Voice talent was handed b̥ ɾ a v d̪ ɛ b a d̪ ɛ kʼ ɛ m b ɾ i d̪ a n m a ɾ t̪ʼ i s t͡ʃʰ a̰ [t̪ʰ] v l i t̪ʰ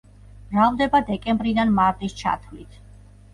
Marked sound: correct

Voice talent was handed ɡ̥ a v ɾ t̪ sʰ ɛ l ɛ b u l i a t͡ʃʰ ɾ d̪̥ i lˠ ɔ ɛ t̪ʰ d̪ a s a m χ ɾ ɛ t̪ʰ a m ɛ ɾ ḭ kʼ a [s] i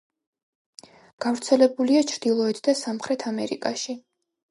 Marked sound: incorrect: ʃ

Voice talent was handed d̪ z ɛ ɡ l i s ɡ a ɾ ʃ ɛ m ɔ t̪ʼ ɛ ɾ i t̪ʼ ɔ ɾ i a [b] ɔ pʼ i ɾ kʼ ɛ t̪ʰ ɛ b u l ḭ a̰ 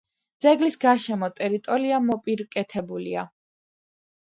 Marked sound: incorrect: m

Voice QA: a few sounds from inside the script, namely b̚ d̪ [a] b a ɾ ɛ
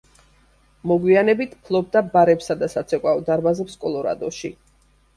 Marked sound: correct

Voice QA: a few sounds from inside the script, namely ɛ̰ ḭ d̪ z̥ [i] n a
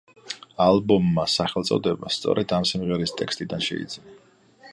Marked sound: correct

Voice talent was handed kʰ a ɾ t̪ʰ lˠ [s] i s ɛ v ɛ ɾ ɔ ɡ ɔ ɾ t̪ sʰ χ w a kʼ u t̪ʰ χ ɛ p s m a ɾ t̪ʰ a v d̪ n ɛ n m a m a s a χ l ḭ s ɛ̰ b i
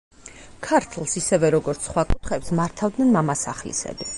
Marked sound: correct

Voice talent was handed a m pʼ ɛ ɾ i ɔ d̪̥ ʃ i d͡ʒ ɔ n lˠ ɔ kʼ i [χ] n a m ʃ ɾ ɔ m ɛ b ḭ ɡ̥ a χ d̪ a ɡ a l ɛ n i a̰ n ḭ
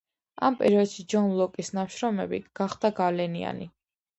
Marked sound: incorrect: s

